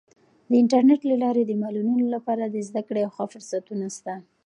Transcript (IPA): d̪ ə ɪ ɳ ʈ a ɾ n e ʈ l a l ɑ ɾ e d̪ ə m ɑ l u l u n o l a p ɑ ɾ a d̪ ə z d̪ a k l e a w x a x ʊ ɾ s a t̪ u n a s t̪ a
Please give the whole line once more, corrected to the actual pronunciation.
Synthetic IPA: d̪ ə ɪ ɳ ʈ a ɾ n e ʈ l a l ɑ ɾ e d̪ ə m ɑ l u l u n o l a p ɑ ɾ a d̪ ə z d̪ a k ɽ e a w x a f ʊ ɾ s a t̪ u n a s t̪ a